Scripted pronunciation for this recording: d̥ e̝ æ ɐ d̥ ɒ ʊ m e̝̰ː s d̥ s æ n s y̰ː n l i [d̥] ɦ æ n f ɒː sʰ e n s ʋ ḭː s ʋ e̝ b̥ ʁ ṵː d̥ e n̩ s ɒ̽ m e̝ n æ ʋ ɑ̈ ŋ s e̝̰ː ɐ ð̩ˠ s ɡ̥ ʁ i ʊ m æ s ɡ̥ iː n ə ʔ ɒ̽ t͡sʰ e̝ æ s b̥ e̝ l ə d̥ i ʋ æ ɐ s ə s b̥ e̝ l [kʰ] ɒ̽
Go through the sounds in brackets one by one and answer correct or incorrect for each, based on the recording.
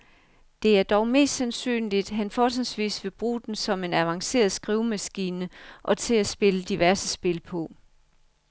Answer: correct, incorrect

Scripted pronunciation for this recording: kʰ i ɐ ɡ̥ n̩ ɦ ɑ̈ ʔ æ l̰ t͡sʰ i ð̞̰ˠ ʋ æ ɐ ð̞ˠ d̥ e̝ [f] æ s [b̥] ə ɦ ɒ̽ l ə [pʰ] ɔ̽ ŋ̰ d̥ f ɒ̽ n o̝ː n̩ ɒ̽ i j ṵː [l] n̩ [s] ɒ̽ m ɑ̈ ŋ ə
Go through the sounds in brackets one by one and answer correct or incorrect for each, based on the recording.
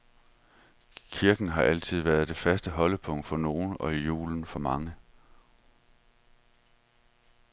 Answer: correct, incorrect, correct, correct, incorrect

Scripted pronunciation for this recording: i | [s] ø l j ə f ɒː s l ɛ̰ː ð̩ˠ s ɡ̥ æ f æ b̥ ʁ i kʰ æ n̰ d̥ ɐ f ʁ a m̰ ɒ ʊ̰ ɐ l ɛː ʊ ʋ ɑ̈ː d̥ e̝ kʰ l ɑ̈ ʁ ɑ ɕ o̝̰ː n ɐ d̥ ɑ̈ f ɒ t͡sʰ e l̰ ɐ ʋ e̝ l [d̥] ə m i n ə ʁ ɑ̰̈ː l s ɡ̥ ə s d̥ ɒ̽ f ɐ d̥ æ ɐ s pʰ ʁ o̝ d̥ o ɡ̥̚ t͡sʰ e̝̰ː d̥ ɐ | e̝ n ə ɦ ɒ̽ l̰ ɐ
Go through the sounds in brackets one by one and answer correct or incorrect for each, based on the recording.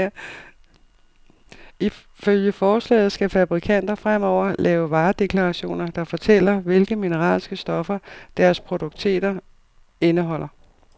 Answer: incorrect, incorrect

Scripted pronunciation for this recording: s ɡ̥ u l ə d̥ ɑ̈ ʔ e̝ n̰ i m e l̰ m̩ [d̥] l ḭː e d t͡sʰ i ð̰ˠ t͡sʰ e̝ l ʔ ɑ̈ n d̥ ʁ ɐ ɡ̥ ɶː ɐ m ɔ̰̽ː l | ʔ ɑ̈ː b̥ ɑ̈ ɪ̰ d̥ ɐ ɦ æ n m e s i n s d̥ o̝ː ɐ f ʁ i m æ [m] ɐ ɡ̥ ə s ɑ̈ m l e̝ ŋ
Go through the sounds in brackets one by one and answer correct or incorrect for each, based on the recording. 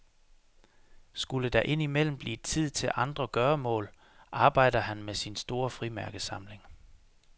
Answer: incorrect, incorrect

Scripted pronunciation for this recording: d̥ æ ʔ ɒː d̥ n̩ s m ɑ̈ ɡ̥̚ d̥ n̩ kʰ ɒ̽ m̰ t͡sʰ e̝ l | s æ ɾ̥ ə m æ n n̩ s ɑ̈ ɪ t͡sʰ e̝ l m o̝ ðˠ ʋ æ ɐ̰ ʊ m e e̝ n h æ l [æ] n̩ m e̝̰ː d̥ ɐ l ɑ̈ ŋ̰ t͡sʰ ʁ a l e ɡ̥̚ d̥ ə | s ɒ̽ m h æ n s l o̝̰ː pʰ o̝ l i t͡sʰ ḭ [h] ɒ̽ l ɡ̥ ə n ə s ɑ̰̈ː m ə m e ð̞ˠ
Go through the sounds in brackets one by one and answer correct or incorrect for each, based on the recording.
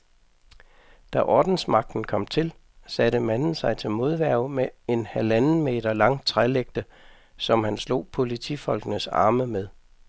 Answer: correct, incorrect

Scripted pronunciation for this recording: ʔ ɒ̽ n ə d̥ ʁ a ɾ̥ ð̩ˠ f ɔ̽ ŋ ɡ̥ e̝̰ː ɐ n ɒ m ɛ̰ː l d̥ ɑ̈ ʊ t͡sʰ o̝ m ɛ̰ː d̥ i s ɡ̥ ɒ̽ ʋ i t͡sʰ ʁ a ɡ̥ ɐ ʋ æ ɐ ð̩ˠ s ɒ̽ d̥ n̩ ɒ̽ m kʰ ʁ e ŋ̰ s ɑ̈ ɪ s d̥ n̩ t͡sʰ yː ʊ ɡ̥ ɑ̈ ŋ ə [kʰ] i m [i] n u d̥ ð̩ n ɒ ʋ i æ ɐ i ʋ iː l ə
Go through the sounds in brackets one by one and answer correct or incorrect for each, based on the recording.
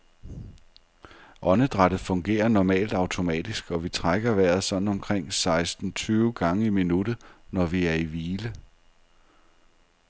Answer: incorrect, correct

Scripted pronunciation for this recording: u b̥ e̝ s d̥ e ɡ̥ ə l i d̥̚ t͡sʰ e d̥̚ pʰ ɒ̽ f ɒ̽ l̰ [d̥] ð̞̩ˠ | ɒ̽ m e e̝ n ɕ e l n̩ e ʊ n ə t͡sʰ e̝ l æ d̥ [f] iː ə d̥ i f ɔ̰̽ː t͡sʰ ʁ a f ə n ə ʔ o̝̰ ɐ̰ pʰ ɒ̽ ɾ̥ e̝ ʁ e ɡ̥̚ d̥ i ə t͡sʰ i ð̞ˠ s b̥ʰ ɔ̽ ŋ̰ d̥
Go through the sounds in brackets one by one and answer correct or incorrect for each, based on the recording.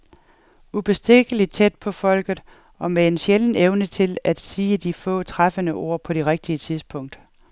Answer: incorrect, incorrect

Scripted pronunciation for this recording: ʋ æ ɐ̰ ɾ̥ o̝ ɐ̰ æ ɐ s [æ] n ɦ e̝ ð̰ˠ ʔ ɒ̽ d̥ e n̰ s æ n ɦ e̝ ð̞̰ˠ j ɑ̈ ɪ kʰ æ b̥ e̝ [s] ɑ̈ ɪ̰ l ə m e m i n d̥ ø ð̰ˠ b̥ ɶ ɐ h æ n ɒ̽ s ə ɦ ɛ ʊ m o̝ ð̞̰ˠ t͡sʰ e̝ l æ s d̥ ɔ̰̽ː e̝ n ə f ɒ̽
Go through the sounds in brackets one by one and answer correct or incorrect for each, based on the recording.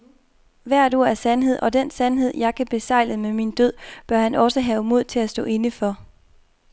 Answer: correct, correct

